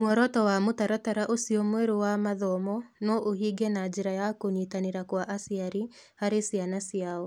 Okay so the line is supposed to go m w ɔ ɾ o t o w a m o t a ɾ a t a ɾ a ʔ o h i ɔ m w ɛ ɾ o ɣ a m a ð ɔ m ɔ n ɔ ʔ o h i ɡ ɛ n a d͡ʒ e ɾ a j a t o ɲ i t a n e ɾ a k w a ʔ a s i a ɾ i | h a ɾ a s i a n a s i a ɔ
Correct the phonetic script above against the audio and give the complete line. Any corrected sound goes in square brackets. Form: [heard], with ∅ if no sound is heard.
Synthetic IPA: m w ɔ ɾ [ɔ] t [ɔ] w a m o t a ɾ a t a ɾ a ʔ o [s] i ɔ m w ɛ ɾ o [w] a m a ð ɔ m ɔ n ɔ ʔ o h i ɡ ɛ n a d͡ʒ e ɾ a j a [k] o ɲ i t a n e ɾ a k w a ʔ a s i a ɾ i | h a ɾ [e] s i a n a s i a ɔ